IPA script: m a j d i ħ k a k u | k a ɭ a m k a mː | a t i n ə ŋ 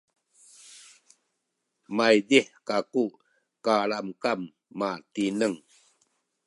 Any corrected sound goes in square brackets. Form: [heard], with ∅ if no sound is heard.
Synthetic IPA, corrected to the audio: m a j d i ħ k a k u | k a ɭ a m k a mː | a t i n ə ŋ